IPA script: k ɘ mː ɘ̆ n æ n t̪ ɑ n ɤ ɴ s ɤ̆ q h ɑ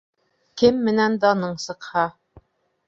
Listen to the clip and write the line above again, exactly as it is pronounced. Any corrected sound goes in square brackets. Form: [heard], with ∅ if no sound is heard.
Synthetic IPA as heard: k ɘ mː ɘ̆ n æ n [d̪] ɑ n ɤ ɴ s ɤ̆ q h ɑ